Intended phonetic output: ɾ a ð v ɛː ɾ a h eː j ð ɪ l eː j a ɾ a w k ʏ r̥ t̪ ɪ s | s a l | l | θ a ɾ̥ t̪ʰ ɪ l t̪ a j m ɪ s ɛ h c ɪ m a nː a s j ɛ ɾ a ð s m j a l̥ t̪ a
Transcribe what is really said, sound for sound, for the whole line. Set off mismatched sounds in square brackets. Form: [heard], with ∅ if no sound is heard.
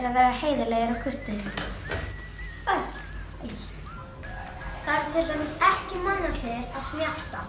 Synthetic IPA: ɾ a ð v ɛː ɾ a h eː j ð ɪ l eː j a ɾ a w [kʰ] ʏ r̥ t̪ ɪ s | s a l | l | θ a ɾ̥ t̪ʰ ɪ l t̪ a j m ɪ s ɛ h c ɪ m a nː a s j ɛ ɾ a ð s m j a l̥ t̪ a